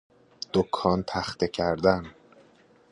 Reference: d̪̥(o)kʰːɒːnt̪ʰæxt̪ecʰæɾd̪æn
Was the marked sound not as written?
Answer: no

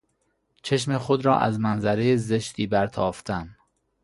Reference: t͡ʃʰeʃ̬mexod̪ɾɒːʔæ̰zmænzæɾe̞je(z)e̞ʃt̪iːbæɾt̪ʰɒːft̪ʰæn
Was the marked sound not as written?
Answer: no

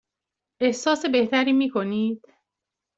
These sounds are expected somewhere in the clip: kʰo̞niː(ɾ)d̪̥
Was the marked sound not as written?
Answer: yes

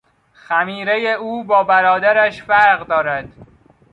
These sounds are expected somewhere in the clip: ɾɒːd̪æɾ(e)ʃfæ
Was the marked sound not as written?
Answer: yes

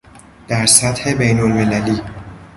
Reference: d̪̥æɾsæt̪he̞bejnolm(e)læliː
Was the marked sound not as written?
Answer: no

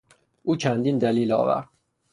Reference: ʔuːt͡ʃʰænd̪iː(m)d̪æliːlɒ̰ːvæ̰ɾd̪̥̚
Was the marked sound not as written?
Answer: yes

